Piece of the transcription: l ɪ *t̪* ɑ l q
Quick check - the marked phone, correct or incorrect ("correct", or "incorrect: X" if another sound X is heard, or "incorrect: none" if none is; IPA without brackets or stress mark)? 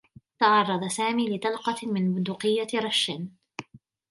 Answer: correct